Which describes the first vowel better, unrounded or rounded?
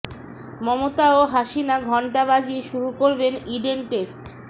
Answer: rounded